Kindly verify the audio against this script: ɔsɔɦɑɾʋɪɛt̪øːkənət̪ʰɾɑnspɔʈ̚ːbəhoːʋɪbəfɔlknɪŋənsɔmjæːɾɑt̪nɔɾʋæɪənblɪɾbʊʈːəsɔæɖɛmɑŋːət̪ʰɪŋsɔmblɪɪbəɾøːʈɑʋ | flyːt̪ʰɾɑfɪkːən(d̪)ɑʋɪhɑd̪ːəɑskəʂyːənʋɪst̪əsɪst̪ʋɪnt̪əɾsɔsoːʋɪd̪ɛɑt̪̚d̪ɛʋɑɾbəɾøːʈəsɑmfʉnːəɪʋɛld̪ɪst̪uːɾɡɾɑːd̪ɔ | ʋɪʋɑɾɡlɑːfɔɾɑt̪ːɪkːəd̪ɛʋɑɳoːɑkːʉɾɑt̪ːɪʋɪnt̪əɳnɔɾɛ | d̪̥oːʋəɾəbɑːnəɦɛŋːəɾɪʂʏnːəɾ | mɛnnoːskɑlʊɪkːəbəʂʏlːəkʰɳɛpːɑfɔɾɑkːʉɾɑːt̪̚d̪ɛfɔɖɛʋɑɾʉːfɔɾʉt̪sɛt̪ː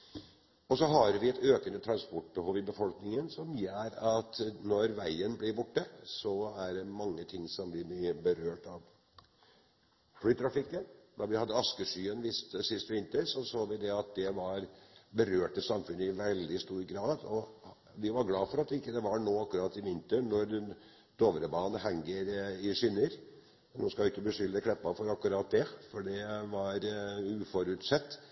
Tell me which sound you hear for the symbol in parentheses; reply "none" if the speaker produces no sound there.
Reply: d̪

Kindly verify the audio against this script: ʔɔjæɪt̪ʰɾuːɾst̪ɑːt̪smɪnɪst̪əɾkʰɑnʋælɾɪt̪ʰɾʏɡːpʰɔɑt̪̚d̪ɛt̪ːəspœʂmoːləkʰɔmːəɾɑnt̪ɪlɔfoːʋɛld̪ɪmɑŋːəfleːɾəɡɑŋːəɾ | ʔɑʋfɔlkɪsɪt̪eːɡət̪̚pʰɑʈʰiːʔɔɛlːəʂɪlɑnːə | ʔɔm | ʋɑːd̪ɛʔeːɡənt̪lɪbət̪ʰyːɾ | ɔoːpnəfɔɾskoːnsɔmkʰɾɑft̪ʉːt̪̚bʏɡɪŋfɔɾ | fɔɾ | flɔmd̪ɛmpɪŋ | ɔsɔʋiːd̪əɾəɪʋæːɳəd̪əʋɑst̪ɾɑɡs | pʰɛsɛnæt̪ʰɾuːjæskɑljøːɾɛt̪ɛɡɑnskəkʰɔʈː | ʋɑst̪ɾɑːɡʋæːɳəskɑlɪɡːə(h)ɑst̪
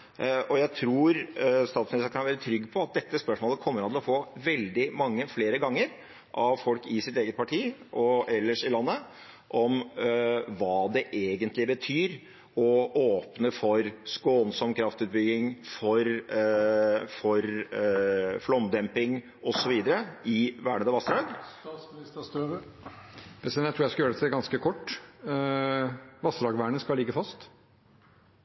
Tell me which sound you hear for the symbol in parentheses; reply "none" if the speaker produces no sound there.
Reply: f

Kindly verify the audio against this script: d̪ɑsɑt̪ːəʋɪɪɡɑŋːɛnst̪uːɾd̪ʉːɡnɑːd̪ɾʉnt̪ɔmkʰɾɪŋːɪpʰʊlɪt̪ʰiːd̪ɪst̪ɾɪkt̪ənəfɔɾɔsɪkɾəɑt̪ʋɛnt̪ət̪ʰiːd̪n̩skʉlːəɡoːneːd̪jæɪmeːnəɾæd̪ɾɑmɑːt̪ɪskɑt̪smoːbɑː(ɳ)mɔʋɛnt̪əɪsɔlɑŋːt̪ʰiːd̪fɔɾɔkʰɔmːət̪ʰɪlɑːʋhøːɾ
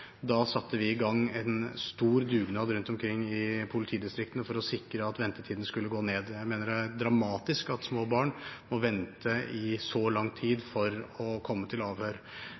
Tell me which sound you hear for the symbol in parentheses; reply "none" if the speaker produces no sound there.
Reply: ɳ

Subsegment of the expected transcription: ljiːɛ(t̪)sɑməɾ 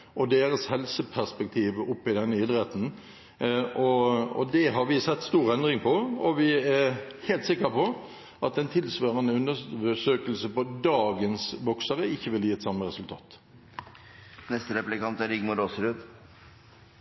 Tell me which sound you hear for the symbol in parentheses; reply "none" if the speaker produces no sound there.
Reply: t̪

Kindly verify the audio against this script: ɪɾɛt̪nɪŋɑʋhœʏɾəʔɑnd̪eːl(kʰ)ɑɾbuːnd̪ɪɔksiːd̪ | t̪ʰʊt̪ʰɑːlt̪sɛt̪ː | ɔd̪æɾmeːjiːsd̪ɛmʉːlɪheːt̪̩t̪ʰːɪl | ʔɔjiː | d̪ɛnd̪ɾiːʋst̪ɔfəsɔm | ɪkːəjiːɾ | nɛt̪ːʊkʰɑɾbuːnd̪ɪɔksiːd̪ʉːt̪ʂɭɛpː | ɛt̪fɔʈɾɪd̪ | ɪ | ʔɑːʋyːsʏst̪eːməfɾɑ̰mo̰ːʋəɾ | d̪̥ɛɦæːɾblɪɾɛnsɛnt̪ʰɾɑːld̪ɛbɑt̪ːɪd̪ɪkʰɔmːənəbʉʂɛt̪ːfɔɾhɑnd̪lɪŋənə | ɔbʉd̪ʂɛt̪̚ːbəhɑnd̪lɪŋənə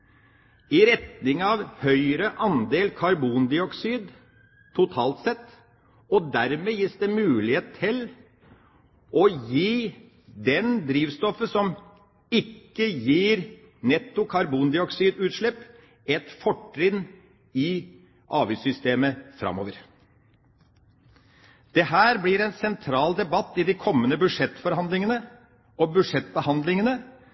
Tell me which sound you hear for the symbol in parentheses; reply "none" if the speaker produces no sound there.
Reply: kʰ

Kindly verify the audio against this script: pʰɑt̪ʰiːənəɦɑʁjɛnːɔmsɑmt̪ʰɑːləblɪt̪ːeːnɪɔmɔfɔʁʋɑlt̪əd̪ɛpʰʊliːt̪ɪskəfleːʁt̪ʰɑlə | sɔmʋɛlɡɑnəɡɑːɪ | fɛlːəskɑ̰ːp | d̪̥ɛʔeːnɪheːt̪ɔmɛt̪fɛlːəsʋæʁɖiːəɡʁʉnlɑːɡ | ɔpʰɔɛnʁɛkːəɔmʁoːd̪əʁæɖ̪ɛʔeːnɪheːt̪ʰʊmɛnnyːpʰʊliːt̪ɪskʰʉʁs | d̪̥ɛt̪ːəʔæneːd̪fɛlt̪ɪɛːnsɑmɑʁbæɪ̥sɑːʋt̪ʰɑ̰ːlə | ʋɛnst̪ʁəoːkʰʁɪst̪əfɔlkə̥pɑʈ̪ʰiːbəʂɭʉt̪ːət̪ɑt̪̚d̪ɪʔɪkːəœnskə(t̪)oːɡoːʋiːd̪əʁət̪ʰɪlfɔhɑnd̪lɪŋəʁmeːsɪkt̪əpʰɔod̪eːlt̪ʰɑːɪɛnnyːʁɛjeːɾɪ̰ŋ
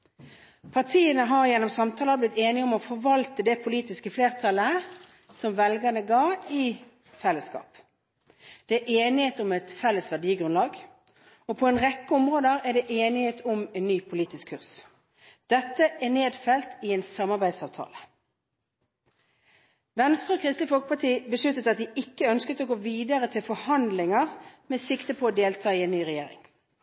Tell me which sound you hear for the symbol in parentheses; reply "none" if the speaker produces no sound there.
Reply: t̪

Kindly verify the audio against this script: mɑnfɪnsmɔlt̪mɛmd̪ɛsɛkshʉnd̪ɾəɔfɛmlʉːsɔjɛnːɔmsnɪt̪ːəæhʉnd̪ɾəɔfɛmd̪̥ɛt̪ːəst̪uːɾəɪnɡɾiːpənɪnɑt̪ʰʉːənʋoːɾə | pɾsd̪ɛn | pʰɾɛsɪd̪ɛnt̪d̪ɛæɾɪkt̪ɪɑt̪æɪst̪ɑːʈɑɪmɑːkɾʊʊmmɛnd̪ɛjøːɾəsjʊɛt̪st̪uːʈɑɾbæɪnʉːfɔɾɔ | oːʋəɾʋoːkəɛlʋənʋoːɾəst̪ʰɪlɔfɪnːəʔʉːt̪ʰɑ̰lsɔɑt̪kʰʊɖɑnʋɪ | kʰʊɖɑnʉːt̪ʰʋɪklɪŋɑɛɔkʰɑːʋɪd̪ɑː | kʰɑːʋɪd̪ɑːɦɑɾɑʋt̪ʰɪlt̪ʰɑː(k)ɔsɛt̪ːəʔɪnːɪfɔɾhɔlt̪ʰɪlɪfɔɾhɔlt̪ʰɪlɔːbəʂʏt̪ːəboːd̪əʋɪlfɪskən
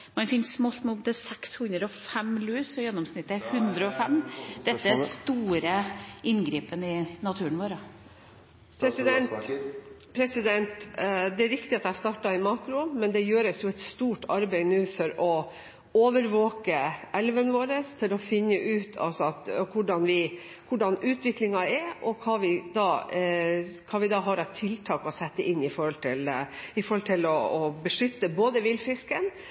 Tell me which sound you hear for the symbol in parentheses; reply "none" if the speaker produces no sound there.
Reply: k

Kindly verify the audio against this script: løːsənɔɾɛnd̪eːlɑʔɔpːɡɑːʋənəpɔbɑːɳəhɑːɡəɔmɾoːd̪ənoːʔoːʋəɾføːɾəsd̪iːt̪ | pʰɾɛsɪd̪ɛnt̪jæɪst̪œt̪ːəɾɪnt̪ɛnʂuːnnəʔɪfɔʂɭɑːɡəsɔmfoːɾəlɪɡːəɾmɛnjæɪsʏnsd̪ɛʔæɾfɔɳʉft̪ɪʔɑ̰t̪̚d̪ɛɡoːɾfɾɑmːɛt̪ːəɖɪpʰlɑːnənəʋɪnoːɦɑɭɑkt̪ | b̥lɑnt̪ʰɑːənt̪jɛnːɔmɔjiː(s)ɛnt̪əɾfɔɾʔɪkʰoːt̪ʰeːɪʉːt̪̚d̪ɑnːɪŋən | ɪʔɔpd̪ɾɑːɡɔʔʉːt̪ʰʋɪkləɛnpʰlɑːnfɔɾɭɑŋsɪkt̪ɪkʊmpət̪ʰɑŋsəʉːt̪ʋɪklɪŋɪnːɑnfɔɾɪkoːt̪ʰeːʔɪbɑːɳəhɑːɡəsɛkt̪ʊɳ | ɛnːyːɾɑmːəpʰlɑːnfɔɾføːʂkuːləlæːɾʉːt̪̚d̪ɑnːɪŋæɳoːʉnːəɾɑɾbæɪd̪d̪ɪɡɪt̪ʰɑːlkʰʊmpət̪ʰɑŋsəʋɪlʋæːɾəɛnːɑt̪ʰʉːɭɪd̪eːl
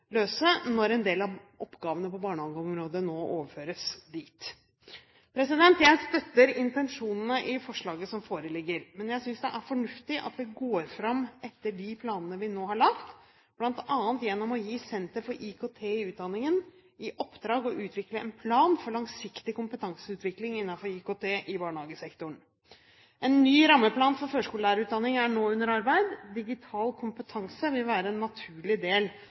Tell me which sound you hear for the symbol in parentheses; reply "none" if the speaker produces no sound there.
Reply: s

